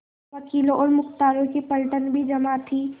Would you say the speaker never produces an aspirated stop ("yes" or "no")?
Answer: no